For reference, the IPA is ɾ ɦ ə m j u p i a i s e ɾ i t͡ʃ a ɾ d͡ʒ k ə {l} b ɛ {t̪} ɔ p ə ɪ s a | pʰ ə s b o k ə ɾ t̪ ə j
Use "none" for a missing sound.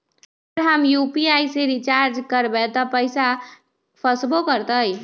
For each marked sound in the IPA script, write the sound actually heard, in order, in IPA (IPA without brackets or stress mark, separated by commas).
ɾ, t̪